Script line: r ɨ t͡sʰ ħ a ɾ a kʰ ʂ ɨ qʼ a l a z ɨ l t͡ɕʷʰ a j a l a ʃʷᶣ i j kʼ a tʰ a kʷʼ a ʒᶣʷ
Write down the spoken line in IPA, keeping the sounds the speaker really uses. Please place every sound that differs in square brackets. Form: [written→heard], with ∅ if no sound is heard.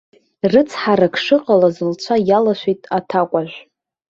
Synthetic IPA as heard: r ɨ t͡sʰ ħ a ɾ a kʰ ʂ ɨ qʼ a l a z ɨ l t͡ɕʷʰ a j a l a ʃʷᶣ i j [kʼ→tʼ] a tʰ a kʷʼ a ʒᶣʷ